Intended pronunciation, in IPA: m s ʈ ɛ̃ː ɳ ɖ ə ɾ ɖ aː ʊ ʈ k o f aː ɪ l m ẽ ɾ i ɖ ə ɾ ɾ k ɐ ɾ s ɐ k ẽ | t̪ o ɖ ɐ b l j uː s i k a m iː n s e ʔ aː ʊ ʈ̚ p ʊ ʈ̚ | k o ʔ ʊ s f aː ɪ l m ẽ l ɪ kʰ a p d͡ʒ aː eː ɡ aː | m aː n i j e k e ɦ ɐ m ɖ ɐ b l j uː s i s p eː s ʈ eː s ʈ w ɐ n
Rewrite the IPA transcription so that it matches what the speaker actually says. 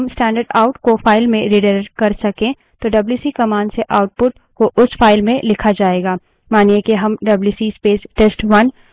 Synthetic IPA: m s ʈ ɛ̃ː ɳ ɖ ə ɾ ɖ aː ʊ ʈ k o f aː ɪ l m ẽ ɾ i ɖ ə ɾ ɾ k ɐ ɾ s ɐ k ẽ | t̪ o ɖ ɐ b l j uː s i k ɐ m aː n s e ʔ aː ʊ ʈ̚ p ʊ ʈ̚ | k o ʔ ʊ s f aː ɪ l m ẽ l ɪ kʰ a d͡ʒ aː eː ɡ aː | m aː n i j e k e ɦ ɐ m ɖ ɐ b l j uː s i s p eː s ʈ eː s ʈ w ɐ n